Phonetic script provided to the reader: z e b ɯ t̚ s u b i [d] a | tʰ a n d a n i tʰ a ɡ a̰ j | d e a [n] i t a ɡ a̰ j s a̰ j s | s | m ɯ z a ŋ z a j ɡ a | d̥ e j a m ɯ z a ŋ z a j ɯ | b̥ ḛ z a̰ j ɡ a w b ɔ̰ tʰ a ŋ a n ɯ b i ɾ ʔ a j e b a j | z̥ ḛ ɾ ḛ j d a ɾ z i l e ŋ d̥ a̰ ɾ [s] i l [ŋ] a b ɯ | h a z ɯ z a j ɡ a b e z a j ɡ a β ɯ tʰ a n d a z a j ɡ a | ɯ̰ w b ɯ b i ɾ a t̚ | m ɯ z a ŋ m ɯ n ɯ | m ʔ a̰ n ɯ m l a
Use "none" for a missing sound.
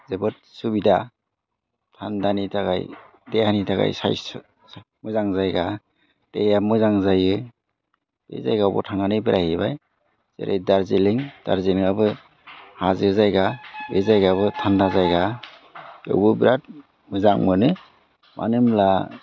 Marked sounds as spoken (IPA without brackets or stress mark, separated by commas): d, n, z, ŋ